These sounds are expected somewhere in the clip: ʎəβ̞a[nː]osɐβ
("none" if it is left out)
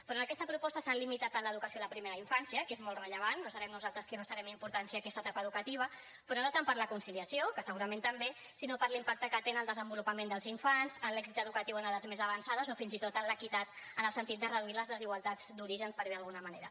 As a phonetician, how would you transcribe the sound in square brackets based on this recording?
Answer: nː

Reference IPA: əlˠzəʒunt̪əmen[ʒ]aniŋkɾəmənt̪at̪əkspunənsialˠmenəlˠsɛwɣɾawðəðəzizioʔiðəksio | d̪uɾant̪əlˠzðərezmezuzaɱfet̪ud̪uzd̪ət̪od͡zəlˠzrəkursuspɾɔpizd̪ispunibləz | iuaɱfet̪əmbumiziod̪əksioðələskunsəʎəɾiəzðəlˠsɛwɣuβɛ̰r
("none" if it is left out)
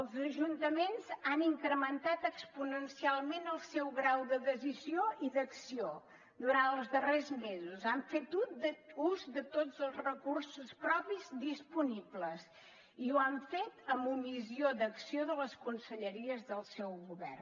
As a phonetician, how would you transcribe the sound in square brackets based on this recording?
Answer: z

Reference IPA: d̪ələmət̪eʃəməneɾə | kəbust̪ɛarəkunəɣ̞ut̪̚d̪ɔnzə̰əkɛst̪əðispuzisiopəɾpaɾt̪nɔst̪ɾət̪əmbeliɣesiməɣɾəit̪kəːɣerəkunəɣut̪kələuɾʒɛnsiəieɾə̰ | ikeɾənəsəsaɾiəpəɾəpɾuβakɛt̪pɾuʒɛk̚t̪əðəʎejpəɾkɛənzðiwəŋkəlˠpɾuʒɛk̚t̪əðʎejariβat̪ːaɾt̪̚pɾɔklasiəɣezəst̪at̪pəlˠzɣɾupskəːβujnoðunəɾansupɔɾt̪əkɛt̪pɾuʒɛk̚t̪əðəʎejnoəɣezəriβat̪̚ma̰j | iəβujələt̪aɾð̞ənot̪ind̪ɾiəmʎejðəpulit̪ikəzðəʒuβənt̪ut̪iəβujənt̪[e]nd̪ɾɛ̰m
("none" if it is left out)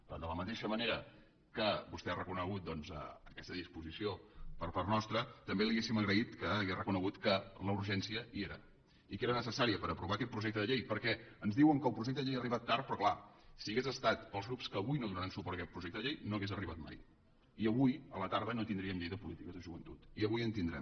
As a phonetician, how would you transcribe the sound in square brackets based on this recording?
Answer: i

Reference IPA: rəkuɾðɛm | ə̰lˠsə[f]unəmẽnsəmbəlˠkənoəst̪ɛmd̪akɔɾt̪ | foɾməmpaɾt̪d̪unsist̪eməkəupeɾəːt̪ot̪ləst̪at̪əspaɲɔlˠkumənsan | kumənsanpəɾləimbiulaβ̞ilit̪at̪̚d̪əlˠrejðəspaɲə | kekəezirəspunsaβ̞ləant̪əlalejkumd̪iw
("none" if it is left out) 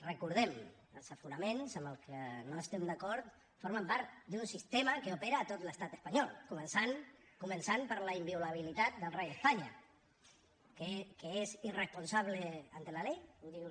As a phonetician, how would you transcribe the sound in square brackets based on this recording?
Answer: f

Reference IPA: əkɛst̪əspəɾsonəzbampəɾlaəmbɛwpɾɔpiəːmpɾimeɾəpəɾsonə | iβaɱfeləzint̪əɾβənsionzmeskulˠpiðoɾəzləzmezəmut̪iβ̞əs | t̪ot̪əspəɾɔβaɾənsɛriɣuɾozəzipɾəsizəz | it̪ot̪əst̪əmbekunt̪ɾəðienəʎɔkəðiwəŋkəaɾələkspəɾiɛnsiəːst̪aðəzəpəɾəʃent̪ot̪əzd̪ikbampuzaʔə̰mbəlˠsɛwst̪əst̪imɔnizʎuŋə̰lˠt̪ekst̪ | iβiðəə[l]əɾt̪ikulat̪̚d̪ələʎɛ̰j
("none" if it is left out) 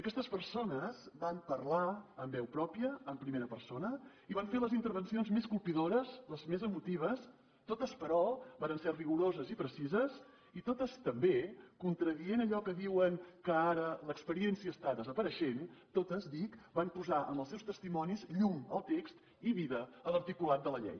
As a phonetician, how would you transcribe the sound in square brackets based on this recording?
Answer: l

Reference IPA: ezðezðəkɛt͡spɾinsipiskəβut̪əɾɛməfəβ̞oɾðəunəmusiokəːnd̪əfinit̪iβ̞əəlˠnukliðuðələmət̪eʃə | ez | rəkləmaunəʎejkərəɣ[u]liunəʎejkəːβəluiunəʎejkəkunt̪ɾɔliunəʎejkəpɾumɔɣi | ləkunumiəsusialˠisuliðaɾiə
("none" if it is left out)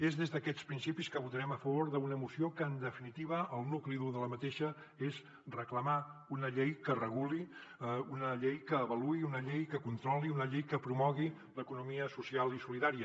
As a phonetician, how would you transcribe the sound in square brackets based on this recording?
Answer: u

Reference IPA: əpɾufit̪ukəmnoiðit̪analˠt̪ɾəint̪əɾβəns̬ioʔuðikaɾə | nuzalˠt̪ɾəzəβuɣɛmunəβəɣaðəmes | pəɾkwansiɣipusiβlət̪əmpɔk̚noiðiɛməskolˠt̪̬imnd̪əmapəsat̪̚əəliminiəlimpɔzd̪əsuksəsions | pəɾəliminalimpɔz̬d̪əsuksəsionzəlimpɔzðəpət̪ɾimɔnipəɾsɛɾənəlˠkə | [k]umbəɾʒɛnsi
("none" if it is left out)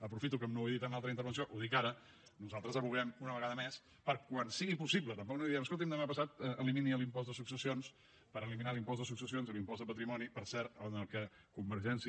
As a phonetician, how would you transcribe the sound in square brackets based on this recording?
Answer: k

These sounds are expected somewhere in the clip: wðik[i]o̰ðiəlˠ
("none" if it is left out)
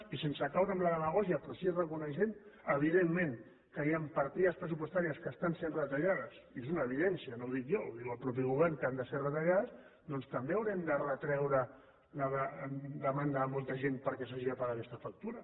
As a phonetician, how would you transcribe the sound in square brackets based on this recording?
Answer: j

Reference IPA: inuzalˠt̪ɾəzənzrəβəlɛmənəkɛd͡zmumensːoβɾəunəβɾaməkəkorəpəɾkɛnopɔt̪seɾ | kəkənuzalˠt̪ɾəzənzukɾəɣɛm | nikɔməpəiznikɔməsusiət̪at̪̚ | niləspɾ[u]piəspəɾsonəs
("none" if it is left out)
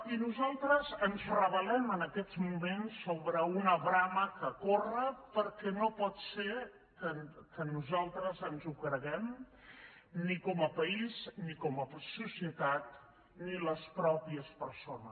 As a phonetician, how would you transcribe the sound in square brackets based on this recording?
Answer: ɔ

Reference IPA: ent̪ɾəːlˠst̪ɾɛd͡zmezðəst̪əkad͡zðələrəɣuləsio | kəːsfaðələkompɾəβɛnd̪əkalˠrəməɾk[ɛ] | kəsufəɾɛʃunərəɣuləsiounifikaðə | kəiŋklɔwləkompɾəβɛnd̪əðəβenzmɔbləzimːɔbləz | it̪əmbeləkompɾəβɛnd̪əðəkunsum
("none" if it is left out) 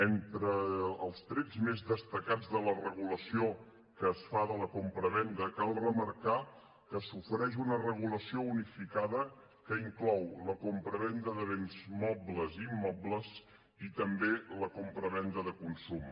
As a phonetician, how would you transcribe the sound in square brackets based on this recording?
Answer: a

